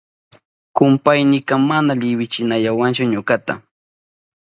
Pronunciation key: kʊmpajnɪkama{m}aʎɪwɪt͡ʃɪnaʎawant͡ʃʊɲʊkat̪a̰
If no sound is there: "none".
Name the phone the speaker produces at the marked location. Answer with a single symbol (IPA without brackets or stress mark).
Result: n